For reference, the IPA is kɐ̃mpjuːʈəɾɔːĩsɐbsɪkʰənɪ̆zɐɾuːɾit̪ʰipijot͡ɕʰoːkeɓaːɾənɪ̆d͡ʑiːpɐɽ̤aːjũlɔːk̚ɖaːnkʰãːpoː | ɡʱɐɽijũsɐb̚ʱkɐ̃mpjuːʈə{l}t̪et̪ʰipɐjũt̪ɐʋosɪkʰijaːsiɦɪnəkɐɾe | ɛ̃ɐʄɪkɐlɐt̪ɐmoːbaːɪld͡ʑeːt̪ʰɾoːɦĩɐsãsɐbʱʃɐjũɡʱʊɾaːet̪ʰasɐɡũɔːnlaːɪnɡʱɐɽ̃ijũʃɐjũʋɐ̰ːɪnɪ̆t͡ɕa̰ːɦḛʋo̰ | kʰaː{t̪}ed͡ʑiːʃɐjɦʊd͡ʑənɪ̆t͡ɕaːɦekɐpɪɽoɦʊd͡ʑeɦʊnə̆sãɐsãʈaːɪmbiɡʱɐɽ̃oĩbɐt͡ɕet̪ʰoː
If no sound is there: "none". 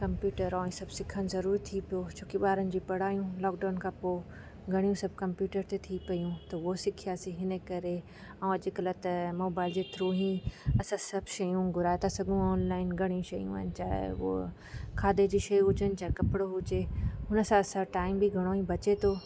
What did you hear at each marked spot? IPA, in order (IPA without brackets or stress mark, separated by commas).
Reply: ɾ, d̪